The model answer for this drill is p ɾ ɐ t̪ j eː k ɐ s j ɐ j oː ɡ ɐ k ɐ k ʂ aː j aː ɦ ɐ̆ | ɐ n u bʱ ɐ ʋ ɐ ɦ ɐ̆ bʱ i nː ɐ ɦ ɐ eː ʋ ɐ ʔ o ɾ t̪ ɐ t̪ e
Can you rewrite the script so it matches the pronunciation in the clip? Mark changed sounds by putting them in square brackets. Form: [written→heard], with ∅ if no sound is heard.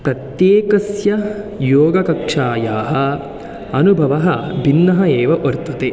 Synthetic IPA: p ɾ ɐ t̪ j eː k ɐ s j ɐ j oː ɡ ɐ k ɐ k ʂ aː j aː ɦ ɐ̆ | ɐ n u bʱ ɐ ʋ ɐ ɦ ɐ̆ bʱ i nː ɐ ɦ ɐ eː ʋ ɐ ʔ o ɾ t̪ ɐ t̪ e